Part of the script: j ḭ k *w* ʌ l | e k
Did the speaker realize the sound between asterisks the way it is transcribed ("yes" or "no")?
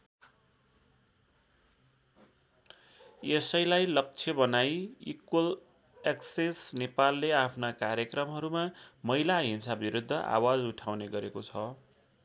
yes